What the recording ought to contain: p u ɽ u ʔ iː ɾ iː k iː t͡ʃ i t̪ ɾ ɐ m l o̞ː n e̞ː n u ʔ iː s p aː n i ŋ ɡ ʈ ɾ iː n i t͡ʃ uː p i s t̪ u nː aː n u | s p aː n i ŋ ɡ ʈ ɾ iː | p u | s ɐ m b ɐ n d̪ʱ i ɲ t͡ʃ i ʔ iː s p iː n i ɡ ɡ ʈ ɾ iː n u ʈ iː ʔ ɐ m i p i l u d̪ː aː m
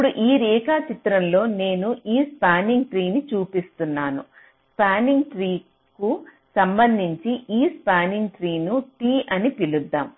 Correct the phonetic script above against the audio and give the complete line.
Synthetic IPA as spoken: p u ɽ u ʔ iː ɾ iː k aː t͡ʃ i t̪ ɾ ɐ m l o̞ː n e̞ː n u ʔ iː s p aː n i ŋ ɡ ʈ ɾ iː n i t͡ʃ uː p i s t̪ u nː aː n u | s p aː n i ŋ ɡ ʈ ɾ iː | k u | s ɐ m b ɐ n d̪ʱ i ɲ t͡ʃ i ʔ iː s p aː n i ŋ ɡ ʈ ɾ iː n u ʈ iː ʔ ɐ n i p i l u d̪ː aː m